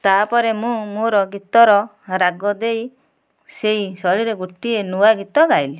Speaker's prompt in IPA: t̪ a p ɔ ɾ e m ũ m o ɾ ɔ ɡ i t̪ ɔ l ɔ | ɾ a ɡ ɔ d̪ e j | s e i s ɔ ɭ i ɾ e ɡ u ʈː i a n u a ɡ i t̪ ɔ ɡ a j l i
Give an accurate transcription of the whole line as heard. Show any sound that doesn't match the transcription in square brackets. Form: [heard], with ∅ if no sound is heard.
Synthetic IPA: t̪ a p ɔ ɾ e m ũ m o ɾ ɔ ɡ i t̪ ɔ [ɾ] ɔ | ɾ a ɡ ɔ d̪ e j | s e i s ɔ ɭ i ɾ e ɡ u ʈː i [e] n u a ɡ i t̪ ɔ ɡ a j l i